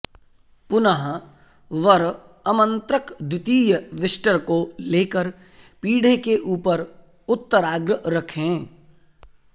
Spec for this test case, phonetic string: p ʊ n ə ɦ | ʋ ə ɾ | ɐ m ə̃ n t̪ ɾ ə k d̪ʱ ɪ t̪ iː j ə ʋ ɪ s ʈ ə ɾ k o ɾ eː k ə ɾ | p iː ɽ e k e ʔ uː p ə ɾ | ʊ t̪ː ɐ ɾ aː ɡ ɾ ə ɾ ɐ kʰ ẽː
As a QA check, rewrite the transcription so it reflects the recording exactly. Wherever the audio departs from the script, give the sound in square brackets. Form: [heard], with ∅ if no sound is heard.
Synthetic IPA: p ʊ n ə ɦ | ʋ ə ɾ | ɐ m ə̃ n t̪ ɾ ə k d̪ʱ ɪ t̪ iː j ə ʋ ɪ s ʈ ə ɾ k o [l] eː k ə ɾ | p iː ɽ e k e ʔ uː p ə ɾ | ʊ t̪ː [ə] ɾ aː ɡ ɾ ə ɾ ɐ kʰ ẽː